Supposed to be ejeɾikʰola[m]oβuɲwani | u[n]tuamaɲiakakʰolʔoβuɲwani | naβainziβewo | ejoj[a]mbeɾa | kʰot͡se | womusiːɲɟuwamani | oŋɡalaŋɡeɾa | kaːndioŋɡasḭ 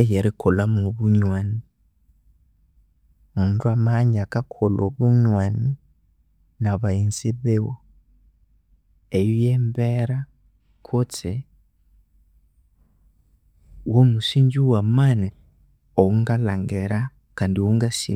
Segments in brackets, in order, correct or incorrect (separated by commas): correct, correct, incorrect